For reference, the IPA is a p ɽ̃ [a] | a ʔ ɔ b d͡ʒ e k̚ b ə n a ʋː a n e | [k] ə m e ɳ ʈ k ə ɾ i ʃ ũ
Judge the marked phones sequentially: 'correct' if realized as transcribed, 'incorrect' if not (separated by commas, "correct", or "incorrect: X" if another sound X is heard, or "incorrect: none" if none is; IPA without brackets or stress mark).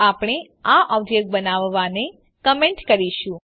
incorrect: e, correct